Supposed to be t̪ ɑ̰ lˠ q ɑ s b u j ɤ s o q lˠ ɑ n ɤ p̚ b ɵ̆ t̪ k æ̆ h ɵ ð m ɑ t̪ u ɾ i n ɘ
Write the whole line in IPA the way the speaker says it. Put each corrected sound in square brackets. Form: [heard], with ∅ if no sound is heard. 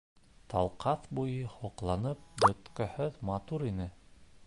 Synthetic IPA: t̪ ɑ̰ lˠ q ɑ [θ] b u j ɤ [h] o q lˠ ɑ n ɤ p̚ b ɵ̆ t̪ k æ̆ h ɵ ð m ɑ t̪ u ɾ i n ɘ